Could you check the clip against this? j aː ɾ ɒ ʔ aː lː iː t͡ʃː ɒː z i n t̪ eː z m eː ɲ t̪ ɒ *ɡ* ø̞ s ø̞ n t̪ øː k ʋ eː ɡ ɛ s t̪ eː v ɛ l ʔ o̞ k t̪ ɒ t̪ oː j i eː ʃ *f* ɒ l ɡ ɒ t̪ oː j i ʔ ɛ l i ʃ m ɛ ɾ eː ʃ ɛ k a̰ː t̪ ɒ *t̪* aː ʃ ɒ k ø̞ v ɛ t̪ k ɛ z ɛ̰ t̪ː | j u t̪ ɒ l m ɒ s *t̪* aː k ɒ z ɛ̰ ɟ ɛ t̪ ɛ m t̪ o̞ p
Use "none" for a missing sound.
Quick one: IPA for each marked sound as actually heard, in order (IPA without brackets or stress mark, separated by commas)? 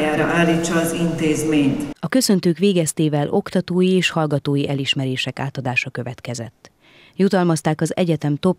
k, h, d̪, t̪